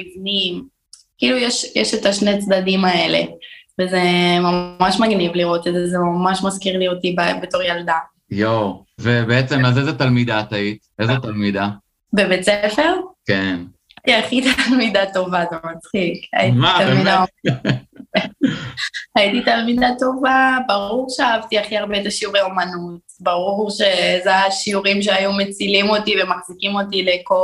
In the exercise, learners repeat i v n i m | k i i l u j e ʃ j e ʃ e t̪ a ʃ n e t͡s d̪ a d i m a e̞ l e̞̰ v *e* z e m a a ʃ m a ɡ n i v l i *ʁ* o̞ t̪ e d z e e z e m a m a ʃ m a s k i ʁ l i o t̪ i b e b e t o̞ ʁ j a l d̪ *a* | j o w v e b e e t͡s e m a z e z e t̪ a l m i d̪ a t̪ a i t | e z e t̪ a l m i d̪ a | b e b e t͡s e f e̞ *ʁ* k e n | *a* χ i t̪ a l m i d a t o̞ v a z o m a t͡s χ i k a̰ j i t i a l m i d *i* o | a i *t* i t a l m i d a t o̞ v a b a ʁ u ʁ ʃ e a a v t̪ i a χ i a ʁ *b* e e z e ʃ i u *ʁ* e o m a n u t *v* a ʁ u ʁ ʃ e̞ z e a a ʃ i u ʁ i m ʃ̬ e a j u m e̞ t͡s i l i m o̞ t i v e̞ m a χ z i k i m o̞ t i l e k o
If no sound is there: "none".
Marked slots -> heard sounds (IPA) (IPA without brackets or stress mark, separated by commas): e, ʁ, a, ʁ, a, a, t, b, ʁ, b